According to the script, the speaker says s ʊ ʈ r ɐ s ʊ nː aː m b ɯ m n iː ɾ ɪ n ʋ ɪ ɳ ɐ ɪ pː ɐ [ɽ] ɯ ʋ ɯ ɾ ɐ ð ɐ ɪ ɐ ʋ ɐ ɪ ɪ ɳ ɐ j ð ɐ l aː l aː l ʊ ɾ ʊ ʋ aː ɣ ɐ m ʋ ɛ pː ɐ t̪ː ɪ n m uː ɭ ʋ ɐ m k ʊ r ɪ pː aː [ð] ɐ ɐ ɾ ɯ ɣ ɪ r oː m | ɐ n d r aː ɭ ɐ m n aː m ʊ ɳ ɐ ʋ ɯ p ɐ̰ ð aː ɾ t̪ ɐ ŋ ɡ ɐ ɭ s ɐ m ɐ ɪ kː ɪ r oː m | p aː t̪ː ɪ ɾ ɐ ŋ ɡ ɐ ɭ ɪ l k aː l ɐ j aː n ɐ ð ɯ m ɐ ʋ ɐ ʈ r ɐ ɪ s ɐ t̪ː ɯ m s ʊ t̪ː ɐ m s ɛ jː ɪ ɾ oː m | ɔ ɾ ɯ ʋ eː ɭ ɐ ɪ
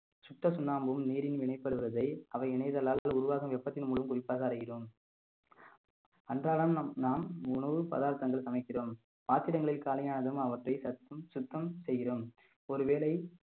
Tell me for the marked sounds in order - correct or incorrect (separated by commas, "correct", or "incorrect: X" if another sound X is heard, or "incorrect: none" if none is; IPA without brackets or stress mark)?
correct, incorrect: ɣ